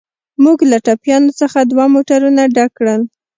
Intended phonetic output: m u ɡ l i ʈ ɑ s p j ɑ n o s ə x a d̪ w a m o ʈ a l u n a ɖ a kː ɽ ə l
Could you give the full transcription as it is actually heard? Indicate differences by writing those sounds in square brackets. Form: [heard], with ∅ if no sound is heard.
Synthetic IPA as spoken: m u ɡ l [a] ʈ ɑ [∅] p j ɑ n o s ə x a d̪ w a m o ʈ a [ɾ] u n a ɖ a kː ɽ ə l

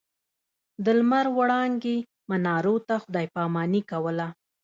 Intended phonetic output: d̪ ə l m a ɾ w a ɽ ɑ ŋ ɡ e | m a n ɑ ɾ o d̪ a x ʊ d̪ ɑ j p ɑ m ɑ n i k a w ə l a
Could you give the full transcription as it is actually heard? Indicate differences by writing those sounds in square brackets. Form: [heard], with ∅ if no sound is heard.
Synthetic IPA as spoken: d̪ ə l m a ɾ w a ɽ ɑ ŋ ɡ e | m a n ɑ ɾ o [t̪] a x ʊ d̪ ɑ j p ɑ m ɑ n i k a w ə l a

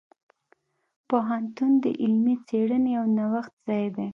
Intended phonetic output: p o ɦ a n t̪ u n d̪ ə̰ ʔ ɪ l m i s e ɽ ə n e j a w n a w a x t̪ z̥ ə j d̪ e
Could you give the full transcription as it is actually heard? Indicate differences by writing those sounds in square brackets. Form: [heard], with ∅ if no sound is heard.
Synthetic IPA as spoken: p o ɦ a n t̪ u n d̪ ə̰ ʔ ɪ l m i [t͡s] e ɽ ə n e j a w n a w a x t̪ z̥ [ɑ] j d̪ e

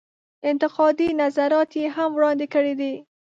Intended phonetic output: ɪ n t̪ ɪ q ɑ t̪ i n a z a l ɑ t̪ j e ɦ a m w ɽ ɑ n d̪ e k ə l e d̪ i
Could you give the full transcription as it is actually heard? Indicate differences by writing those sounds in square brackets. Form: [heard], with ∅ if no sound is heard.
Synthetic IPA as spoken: ɪ n t̪ ɪ q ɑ [d̪] i n a z a [ɾ] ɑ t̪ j e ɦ a m w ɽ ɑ n d̪ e k ə [ɽ] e d̪ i

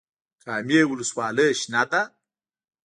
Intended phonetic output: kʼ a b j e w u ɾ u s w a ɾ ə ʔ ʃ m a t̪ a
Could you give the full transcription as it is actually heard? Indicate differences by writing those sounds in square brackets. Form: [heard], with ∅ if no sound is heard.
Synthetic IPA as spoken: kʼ a [m] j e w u [l] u s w a [l] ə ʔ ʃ [n] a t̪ a

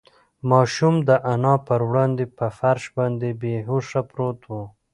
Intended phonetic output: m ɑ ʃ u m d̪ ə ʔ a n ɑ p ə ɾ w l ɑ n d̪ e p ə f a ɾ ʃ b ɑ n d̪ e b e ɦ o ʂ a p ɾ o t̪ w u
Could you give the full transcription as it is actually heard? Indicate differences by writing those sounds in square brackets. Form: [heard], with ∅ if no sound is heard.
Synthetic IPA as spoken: m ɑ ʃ u m d̪ ə ʔ a n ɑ p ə ɾ w [ɽ] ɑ n d̪ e p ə f a ɾ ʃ b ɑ n d̪ e b e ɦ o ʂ a p ɾ o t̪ w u

